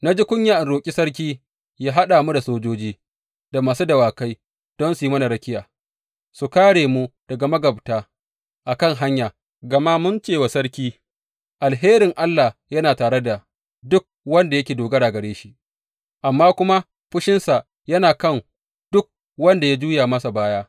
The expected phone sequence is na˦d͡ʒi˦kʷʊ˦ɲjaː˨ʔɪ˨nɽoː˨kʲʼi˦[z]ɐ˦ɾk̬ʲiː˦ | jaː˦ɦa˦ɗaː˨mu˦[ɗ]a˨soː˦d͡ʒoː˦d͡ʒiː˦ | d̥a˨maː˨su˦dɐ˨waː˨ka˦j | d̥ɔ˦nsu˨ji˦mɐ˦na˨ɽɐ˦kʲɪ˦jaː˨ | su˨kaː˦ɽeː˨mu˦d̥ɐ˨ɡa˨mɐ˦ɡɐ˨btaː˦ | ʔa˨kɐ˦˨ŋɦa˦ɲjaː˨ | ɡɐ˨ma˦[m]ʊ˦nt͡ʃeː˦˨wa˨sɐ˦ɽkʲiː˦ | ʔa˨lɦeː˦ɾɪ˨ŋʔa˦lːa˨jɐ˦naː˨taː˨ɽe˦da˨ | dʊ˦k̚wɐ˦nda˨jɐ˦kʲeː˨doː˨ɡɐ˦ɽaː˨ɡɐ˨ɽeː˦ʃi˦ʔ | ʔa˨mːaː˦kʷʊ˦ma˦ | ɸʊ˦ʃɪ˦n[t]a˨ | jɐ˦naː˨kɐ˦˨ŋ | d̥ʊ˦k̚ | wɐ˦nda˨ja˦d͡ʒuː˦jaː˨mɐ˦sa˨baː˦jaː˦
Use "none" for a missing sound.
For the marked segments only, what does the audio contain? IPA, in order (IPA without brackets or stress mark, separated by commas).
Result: s, d, m, s